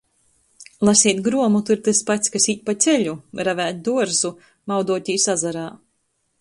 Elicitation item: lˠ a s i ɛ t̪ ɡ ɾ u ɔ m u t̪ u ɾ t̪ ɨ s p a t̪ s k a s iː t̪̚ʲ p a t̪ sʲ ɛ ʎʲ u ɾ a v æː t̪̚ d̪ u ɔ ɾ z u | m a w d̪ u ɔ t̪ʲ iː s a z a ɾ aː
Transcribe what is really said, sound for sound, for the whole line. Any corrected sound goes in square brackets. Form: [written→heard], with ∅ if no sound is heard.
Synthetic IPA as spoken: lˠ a s i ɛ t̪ ɡ ɾ u ɔ m u t̪ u ɾ t̪ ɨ s p a t̪ s k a s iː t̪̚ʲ p a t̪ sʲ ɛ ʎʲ u ɾ a v æː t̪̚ d̪ u ɔ ɾ z u | m a w d̪ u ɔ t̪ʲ iː s a z a ɾ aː